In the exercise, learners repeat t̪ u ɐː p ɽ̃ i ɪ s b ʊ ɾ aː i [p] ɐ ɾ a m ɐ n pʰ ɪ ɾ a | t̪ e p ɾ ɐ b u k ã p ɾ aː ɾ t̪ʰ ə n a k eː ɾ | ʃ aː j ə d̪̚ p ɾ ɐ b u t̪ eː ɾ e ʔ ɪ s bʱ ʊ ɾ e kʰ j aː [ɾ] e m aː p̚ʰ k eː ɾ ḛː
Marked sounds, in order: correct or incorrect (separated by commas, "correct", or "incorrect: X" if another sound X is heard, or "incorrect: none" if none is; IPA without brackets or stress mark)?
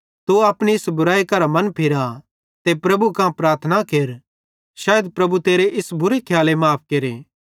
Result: incorrect: k, incorrect: l